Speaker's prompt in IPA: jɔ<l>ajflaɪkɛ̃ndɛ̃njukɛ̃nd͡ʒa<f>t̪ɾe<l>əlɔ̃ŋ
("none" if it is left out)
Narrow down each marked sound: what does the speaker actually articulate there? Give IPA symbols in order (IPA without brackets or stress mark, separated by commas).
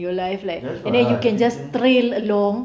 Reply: l, s, l